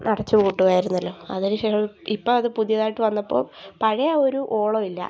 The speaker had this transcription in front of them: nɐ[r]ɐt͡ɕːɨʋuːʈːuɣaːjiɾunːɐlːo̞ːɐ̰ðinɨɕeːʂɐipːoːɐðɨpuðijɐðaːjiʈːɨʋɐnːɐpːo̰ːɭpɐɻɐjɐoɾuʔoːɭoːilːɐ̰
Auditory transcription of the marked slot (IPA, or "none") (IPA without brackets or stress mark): ɽ